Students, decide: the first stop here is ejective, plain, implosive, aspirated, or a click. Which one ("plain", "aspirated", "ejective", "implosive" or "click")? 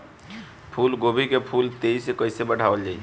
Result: aspirated